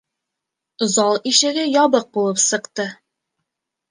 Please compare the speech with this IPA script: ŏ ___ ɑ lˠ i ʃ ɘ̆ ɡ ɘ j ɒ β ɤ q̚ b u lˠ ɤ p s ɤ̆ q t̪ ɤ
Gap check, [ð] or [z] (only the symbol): z